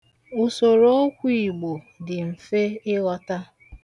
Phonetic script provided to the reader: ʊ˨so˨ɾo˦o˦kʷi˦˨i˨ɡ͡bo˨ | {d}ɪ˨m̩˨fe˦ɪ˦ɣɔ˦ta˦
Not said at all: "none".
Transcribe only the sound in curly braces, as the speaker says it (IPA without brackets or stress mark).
d